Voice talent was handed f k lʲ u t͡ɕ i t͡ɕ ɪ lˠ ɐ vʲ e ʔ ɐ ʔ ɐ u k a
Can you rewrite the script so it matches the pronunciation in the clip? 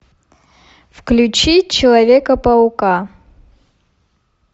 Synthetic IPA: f k lʲ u t͡ɕ i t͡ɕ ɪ lˠ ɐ vʲ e k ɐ p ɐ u k a